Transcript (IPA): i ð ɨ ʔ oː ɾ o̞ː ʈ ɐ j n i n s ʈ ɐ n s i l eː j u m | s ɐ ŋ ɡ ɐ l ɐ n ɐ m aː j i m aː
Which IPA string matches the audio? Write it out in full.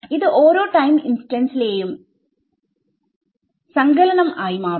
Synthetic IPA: i ð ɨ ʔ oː ɾ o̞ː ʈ ɐ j m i n s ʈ ɐ n s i l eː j u m | s ɐ ŋ ɡ ɐ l ɐ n ɐ m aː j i m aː